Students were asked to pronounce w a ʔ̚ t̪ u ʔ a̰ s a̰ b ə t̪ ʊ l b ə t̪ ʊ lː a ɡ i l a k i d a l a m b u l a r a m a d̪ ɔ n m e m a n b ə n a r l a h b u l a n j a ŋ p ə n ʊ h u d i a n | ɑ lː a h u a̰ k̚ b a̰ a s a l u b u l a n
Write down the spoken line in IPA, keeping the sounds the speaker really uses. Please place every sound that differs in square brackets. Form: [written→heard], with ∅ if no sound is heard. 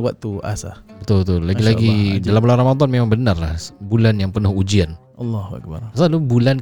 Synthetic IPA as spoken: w a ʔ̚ t̪ u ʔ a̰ s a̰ b ə t̪ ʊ l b ə t̪ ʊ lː a ɡ i l a [k→ɡ] i d a l a m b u l a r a m a d̪ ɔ n m e m a [n→ŋ] b ə n a r l a h b u l a n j a ŋ p ə n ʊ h u [d→d͡ʒ] i a n | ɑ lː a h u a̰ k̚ b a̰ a s a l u b u l a n